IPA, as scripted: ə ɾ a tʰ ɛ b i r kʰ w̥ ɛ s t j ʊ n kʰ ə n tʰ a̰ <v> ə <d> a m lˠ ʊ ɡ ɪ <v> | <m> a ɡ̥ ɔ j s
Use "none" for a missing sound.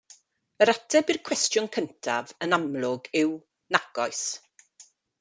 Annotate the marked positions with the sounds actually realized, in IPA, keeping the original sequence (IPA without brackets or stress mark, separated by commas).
v, n, w, n